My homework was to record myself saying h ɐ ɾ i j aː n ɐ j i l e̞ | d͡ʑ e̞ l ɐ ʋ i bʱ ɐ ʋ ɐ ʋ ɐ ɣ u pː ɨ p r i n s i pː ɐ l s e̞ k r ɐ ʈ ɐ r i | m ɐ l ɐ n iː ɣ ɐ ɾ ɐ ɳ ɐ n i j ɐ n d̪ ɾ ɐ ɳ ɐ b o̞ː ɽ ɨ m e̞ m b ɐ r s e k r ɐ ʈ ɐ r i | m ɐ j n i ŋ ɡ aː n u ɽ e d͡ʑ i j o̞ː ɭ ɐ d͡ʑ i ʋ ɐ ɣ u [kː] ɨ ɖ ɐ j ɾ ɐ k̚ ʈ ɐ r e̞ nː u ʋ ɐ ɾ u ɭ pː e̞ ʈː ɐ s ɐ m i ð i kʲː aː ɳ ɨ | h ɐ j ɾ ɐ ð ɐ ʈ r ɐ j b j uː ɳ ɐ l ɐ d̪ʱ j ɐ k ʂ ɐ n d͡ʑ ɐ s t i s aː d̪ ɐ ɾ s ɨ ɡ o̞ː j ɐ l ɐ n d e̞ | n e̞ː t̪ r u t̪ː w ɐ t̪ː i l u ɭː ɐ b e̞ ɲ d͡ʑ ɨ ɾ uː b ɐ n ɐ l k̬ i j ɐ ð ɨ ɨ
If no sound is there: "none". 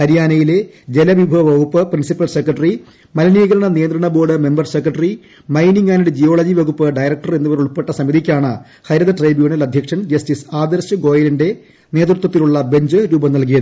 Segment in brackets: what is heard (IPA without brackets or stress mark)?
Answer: pː